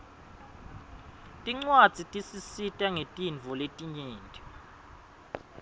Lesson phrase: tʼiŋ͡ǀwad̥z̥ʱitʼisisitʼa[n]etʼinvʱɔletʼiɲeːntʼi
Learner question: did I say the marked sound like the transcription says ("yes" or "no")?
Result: no